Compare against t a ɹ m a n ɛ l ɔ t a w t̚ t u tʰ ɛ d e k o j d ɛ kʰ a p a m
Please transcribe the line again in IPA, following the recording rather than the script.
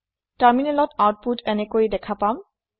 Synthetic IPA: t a ɹ m i n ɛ l ɔ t a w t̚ p u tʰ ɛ n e k o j d ɛ kʰ a p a m